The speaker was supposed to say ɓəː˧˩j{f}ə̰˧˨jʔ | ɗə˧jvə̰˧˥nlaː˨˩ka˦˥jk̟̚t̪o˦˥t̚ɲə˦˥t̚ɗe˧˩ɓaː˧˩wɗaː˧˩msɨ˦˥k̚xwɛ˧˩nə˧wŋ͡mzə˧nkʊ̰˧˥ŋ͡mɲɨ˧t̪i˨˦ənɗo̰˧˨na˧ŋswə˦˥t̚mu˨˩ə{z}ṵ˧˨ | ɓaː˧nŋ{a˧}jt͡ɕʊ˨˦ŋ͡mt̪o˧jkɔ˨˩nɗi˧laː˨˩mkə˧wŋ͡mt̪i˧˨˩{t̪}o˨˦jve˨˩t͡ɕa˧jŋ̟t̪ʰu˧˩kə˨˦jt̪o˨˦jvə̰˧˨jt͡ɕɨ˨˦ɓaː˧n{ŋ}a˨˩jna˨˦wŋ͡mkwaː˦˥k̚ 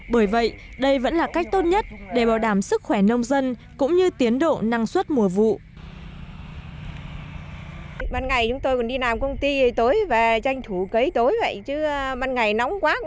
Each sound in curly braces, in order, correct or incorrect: incorrect: v, incorrect: v, incorrect: a˨˩, correct, correct

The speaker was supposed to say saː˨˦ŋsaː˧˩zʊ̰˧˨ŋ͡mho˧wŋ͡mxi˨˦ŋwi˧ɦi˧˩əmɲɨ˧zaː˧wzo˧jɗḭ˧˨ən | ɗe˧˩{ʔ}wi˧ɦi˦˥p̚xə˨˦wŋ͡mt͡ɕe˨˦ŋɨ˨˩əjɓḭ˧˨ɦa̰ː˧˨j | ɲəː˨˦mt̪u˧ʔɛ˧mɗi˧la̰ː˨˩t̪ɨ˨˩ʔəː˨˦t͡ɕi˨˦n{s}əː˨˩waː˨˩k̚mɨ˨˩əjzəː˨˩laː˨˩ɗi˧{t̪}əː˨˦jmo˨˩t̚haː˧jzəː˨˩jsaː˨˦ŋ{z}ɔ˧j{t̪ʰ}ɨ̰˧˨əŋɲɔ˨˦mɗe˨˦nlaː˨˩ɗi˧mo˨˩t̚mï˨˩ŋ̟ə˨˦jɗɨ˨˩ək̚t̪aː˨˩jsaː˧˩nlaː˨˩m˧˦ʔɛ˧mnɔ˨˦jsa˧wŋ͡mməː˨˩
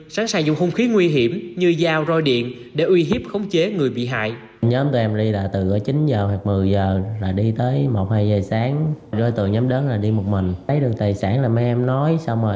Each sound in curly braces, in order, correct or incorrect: correct, incorrect: z, correct, correct, incorrect: t̪

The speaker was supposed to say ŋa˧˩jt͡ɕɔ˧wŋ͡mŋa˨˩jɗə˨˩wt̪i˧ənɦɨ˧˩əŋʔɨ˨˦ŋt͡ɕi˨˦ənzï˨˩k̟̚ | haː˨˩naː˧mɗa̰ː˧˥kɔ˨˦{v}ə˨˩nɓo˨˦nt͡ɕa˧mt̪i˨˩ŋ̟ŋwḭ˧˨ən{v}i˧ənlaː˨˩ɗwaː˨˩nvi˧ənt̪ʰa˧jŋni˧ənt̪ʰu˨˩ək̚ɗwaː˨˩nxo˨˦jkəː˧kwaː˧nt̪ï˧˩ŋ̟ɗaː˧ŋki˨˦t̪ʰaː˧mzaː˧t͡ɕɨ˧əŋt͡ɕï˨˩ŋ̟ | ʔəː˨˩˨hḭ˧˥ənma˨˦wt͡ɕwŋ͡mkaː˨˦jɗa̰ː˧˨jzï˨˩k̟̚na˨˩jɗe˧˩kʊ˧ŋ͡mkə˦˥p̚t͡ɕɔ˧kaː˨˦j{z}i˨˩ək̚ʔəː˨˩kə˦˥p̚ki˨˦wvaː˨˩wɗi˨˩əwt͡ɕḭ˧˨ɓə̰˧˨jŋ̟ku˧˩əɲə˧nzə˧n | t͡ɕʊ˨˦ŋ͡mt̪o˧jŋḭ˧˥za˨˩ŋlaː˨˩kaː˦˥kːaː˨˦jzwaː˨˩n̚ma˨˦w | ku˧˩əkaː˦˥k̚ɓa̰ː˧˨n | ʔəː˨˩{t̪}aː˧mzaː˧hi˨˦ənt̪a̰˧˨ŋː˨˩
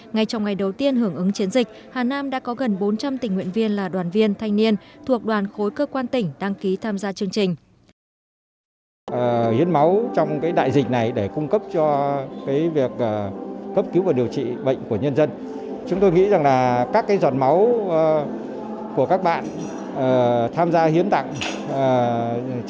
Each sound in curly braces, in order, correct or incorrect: incorrect: ɣ, correct, incorrect: v, incorrect: t̪ʰ

